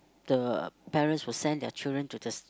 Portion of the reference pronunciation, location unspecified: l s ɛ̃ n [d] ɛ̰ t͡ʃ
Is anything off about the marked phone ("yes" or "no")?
no